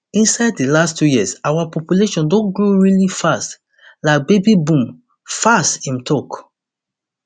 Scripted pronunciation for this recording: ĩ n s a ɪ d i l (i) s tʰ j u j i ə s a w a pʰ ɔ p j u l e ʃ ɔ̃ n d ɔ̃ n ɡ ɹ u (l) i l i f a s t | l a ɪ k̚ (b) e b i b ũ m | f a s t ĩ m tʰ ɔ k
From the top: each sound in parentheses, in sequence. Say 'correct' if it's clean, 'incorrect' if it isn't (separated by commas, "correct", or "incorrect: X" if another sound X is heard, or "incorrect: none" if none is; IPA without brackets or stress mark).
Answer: incorrect: a, incorrect: ɹ, correct